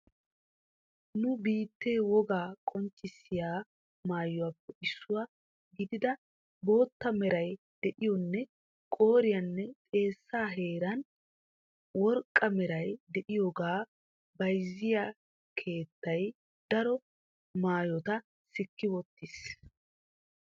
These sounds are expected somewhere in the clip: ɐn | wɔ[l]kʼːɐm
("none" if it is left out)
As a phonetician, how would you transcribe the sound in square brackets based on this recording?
ɾ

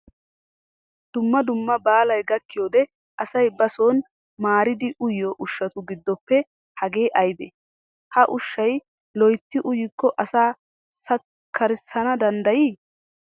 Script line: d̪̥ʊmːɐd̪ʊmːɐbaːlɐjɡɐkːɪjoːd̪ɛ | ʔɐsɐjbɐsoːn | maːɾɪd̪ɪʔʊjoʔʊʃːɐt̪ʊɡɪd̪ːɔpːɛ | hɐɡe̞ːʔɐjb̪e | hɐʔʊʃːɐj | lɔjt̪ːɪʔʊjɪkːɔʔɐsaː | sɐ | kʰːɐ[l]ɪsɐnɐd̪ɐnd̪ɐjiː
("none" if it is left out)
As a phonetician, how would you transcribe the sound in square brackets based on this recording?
ɾ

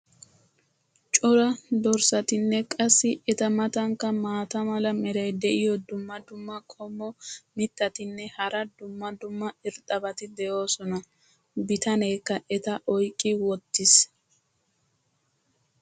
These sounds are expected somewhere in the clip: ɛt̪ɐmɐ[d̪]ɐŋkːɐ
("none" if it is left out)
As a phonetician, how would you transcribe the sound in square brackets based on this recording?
t̪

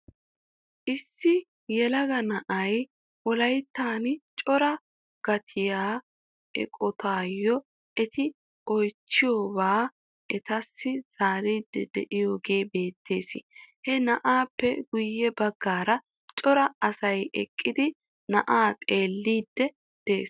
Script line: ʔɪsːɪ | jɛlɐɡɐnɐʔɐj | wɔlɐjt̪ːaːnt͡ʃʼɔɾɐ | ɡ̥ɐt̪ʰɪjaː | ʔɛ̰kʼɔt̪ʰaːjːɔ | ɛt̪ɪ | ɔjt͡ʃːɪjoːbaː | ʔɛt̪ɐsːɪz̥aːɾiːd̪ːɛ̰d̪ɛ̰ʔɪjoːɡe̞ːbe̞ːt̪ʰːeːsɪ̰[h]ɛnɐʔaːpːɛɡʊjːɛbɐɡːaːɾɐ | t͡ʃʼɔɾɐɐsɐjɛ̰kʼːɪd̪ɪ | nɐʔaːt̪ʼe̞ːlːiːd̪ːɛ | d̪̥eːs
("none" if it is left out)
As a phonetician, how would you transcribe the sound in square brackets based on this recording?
h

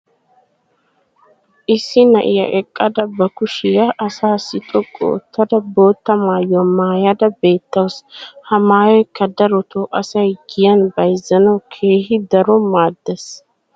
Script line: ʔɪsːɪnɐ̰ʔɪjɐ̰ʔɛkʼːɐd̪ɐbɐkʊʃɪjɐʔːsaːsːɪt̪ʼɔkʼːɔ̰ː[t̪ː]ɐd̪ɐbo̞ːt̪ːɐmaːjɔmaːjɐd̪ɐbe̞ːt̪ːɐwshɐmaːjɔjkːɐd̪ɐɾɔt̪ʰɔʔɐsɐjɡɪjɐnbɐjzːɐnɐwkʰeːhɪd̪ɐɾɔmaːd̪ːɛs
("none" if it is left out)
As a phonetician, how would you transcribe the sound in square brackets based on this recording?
t̪ː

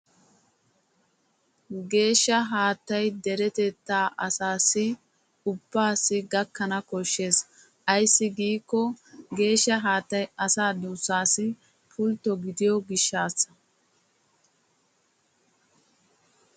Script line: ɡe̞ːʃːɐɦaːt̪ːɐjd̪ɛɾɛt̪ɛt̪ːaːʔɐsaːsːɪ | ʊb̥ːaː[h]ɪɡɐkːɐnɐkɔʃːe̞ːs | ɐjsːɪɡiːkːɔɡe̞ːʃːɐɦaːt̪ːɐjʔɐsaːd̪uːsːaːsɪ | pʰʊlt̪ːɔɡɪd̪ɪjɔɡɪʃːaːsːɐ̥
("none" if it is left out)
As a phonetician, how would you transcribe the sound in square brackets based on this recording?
s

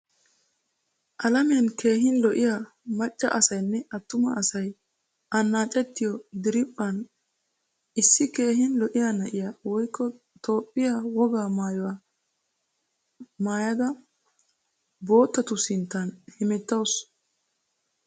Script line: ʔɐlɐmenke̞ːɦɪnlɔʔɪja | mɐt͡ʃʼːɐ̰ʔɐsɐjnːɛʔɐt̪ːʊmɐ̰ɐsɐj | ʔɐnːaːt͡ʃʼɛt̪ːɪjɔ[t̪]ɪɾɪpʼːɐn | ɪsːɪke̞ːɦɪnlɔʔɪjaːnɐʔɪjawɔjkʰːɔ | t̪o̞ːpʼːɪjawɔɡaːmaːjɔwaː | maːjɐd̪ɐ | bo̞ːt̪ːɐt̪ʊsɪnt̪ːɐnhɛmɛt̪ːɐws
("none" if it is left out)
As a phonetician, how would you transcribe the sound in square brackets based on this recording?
d̪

